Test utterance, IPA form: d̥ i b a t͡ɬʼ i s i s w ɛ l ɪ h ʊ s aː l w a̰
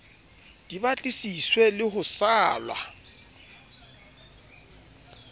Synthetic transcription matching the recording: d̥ i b a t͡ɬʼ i s i s w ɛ l ɪ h ʊ s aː l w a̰